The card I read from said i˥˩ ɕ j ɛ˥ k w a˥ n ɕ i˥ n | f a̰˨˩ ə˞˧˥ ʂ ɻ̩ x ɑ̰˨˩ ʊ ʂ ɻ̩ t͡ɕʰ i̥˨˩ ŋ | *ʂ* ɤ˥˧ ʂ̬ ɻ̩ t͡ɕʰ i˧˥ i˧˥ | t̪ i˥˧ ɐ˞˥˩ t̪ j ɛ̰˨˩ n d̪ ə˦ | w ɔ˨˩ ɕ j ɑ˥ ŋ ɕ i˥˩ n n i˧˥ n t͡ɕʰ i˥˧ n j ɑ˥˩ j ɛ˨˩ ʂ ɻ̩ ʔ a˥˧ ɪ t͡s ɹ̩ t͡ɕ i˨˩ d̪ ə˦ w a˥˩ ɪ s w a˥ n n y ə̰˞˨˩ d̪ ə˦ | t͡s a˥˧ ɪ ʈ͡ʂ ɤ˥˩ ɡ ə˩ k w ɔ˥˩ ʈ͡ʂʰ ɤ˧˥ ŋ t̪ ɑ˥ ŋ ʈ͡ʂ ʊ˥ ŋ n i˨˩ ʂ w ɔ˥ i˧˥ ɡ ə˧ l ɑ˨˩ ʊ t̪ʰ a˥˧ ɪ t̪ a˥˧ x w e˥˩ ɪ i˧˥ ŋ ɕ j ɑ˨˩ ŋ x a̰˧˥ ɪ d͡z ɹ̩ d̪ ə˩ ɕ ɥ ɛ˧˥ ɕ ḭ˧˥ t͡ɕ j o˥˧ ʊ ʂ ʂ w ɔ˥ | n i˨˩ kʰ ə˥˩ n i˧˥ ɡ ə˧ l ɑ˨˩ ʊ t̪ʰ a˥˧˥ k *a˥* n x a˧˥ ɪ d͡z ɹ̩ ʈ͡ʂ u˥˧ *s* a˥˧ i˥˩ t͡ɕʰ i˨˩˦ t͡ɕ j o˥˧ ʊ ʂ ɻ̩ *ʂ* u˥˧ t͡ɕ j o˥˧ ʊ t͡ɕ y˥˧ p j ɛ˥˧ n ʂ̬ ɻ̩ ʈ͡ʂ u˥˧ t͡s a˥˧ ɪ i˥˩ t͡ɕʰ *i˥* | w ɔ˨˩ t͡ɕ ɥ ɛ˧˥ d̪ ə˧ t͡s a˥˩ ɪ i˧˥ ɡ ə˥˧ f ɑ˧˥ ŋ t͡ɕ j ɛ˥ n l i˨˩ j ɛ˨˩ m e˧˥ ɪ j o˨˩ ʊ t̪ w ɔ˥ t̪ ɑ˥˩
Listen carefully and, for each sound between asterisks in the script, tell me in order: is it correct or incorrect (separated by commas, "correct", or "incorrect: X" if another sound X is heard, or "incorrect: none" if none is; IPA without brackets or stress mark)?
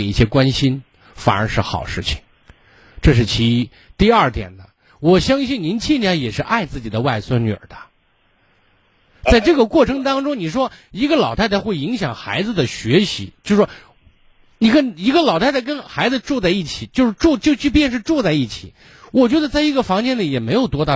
incorrect: ʈ͡ʂ, incorrect: ə˥, incorrect: t͡s, incorrect: ʈ͡ʂ, incorrect: i˨˩˦